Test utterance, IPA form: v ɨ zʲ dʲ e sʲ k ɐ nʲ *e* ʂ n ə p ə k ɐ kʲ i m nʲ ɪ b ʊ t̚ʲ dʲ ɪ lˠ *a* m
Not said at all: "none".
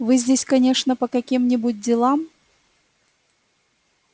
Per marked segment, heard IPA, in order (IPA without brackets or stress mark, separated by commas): e, a